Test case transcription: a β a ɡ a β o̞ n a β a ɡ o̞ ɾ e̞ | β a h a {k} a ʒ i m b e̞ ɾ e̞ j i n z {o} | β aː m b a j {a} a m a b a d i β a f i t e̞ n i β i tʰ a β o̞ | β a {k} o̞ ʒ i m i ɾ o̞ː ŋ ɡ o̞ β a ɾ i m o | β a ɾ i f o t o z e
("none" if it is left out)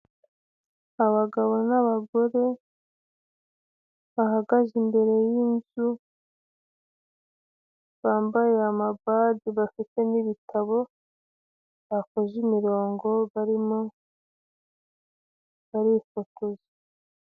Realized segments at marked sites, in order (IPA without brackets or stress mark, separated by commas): ɡ, u, e, k